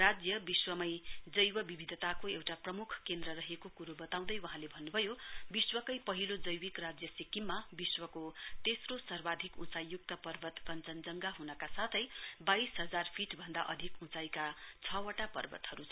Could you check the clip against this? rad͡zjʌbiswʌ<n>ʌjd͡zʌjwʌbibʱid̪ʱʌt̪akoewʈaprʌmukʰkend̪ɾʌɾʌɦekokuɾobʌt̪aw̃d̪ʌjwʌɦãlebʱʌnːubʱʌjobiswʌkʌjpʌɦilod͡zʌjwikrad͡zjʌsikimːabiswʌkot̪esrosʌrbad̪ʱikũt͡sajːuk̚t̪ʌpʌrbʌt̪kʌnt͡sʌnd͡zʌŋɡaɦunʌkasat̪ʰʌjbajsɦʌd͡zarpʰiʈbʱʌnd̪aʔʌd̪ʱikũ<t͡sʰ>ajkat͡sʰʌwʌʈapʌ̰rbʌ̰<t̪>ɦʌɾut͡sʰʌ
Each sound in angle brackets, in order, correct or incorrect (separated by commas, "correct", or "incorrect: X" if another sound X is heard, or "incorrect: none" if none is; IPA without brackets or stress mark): incorrect: m, incorrect: t͡s, correct